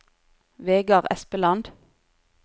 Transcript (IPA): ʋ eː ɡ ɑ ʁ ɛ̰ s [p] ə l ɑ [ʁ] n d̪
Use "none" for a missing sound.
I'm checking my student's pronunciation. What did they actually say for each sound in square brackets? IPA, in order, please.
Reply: p, none

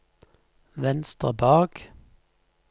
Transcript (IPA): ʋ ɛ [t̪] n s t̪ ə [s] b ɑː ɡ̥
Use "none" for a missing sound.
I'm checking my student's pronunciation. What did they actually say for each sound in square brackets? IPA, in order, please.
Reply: none, none

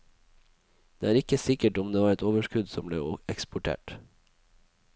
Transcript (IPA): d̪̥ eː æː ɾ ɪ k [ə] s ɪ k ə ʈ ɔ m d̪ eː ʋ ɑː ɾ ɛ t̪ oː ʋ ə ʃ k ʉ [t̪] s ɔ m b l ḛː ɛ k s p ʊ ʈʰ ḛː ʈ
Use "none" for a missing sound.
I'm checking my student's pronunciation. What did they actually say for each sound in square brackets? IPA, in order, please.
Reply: ə, d̪

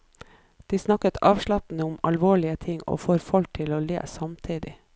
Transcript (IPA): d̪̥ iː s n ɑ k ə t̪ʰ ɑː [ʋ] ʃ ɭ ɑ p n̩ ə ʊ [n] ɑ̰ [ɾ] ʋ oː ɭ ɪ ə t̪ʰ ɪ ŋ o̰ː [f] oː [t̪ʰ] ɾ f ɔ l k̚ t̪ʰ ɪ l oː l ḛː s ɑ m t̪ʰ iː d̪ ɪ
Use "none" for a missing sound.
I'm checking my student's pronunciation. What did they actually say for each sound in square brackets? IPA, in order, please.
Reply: ʋ, m, l, f, none

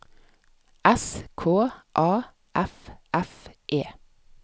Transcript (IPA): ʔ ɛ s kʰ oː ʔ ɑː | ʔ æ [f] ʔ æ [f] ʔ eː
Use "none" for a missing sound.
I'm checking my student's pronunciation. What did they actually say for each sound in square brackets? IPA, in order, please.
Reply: f, f

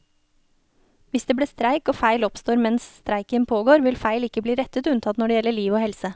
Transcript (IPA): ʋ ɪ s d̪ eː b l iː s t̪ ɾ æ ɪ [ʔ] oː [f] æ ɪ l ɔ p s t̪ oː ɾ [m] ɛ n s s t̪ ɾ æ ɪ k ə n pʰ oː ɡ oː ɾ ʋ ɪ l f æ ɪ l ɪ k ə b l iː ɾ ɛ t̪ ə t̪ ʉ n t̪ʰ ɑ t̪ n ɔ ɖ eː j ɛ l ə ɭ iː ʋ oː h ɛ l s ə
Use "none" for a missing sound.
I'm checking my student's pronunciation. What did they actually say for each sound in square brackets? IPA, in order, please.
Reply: k, f, m

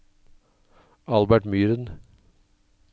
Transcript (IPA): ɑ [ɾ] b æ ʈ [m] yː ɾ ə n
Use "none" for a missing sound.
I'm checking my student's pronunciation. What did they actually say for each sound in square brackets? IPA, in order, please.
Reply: l, m

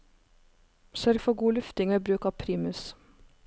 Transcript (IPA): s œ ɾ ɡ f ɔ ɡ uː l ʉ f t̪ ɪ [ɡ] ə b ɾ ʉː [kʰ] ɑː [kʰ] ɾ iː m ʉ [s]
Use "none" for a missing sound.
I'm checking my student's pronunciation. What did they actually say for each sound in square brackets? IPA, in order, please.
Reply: ŋ, k, pʰ, s

